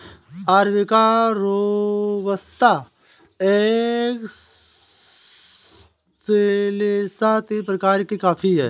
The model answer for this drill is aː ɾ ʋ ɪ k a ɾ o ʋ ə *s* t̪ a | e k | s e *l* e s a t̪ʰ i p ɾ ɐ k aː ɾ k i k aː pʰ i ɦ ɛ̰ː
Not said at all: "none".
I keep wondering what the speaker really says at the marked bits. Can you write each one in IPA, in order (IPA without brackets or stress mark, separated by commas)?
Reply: s, l